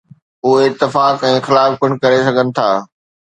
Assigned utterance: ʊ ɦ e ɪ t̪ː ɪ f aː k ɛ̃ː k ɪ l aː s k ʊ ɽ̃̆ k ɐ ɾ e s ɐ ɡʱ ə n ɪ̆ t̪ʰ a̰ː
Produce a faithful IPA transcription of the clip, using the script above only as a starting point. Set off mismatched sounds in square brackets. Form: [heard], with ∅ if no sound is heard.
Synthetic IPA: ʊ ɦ e ɪ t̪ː ɪ f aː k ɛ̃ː [x] ɪ l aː [f] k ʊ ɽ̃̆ k ɐ ɾ e s ɐ ɡʱ ə n ɪ̆ t̪ʰ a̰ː

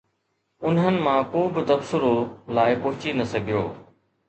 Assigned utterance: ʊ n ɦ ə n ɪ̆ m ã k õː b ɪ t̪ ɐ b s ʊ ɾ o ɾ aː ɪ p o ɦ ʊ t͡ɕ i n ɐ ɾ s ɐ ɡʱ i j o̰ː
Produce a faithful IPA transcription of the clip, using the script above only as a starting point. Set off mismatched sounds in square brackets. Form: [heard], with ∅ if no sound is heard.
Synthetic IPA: ʊ n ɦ ə n ɪ̆ m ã k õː b ɪ t̪ ɐ b s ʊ ɾ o [l] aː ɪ p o ɦ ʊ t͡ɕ i n ɐ [∅] s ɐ ɡʱ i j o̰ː

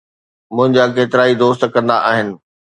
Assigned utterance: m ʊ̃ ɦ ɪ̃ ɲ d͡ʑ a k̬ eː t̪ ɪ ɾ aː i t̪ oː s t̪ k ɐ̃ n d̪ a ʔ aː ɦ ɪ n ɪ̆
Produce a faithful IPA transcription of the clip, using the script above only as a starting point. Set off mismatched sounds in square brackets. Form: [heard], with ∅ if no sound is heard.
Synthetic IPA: m ʊ̃ ɦ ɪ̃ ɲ d͡ʑ a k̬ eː t̪ ɪ ɾ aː i [d̪] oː s t̪ k ɐ̃ n d̪ a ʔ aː ɦ ɪ n ɪ̆

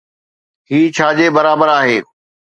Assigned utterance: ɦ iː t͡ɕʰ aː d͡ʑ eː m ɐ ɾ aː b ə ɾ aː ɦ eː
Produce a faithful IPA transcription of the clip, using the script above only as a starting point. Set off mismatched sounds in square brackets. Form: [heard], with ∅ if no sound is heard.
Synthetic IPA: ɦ iː t͡ɕʰ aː d͡ʑ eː [b] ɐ ɾ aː b ə ɾ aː ɦ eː

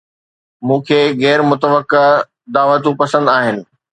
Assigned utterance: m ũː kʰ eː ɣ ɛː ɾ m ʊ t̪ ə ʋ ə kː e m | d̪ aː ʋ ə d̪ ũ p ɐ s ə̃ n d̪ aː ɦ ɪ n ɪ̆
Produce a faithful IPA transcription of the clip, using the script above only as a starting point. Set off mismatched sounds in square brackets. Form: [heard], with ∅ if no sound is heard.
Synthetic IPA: m ũː kʰ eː ɣ ɛː ɾ m ʊ t̪ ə ʋ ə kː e [∅] | d̪ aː ʋ ə [t̪] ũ p ɐ s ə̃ n d̪ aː ɦ ɪ n ɪ̆

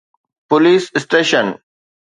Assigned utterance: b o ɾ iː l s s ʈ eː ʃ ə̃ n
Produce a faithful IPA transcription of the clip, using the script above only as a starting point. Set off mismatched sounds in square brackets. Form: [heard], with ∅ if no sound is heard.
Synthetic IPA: [p] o [l] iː [∅] s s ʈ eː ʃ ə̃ n

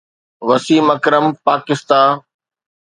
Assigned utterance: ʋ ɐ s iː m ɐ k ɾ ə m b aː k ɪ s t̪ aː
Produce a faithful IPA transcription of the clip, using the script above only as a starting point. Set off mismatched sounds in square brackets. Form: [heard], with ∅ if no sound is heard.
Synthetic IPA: ʋ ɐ s iː m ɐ k ɾ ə m [p] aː k ɪ s t̪ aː

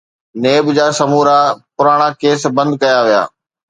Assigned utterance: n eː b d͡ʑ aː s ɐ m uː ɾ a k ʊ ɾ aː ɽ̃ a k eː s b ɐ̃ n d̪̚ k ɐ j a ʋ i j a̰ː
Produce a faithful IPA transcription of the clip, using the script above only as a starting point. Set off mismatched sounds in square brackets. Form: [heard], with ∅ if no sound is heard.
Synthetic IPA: n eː b d͡ʑ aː s ɐ m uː ɾ a [p] ʊ ɾ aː ɽ̃ a k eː s b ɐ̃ n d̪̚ k ɐ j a ʋ i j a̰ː

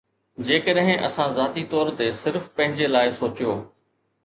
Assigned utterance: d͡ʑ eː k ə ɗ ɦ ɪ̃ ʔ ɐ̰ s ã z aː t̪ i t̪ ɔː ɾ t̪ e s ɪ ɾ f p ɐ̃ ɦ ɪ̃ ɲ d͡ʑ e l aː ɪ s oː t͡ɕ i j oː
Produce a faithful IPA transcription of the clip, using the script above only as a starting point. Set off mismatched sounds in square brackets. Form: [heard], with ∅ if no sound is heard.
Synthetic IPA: d͡ʑ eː k ə ɗ ɦ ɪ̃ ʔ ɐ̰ s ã z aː t̪ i t̪ ɔː ɾ t̪ e s ɪ ɾ f p ɐ̃ ɦ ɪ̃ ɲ d͡ʑ e l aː ɪ s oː t͡ɕ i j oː

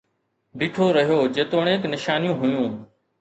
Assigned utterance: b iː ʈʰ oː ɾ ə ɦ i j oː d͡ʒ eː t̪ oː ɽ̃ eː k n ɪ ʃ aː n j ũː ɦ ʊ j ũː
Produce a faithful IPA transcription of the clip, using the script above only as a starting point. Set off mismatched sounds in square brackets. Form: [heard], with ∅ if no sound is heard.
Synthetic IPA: b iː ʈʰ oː ɾ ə ɦ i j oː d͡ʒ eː t̪ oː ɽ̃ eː k n ɪ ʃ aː n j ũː ɦ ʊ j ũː

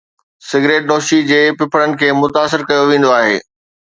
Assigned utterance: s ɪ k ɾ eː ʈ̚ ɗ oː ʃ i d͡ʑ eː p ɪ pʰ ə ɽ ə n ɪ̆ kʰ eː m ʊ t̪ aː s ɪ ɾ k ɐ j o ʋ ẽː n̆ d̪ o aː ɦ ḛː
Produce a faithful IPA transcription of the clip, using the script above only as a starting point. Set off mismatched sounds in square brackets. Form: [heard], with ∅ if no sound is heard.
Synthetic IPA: s ɪ [ɡ] ɾ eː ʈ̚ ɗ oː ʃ i d͡ʑ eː p ɪ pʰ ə ɽ ə n ɪ̆ kʰ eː m ʊ t̪ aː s ɪ ɾ k ɐ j o ʋ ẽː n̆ d̪ o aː ɦ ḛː

